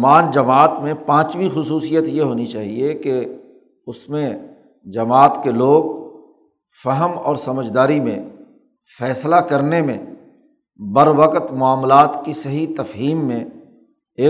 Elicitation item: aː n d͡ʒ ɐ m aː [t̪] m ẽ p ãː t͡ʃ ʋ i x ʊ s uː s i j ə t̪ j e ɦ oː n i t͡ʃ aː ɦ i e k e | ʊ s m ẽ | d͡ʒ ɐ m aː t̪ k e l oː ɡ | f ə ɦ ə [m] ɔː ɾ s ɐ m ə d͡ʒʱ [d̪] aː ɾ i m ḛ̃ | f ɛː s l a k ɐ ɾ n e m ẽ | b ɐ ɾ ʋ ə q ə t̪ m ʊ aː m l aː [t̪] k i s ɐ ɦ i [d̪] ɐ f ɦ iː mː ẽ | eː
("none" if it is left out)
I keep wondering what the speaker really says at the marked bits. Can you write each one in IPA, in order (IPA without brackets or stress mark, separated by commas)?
t̪, m, d̪, t̪, t̪